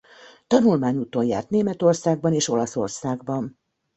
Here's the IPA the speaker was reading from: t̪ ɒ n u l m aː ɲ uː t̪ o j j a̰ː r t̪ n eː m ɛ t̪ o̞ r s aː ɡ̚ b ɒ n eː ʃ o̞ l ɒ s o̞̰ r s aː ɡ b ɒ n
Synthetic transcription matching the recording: t̪ ɒ n u l m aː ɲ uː t̪ o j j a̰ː r t̪ n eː m ɛ t̪ o̞ r s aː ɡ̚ b ɒ n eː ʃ o̞ l ɒ s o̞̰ r s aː ɡ b ɒ n